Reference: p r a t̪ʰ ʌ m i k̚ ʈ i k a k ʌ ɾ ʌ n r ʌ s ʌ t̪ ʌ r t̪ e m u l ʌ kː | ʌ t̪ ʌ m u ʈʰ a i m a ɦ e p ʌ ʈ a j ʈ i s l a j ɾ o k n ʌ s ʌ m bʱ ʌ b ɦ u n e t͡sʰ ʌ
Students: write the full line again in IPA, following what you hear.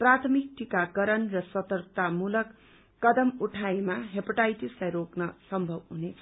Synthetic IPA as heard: p r a t̪ʰ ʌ m i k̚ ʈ i k a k ʌ ɾ ʌ n r ʌ s ʌ t̪ ʌ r t̪ a m u l ʌ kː | ʌ d̪ ʌ m u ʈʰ a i m a ɦ e p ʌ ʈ a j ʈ i s l a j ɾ o k n ʌ s ʌ m bʱ ʌ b ɦ u n e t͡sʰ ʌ